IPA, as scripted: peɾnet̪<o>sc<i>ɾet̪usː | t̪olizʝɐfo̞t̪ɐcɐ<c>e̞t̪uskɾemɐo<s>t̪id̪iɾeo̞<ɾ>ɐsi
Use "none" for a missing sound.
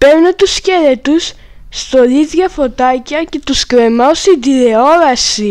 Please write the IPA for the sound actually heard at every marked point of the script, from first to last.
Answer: u, e, c, s, ɾ

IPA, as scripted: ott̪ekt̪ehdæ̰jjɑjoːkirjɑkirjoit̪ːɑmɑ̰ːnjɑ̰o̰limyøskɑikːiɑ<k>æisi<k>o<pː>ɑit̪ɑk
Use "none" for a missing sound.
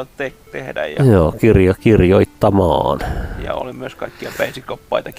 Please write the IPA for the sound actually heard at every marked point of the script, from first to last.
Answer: p, k, pː

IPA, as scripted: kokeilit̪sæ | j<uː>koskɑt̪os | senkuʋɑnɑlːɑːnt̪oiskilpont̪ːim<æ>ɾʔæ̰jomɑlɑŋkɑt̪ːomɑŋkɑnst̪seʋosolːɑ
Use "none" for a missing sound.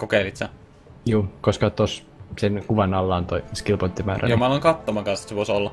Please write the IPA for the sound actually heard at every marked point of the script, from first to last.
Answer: uː, æː

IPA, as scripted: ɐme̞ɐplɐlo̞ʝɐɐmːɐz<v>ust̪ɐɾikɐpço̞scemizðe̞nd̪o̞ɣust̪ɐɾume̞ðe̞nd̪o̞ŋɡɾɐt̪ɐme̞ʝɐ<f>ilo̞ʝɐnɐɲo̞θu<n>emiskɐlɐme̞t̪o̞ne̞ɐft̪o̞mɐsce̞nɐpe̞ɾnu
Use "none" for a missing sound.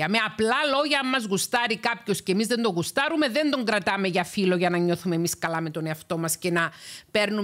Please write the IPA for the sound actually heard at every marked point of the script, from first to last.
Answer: ɣ, f, m

